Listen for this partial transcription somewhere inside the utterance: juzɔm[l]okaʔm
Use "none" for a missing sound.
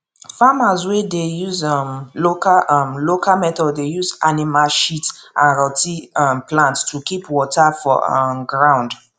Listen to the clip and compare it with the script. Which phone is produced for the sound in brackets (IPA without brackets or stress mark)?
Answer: l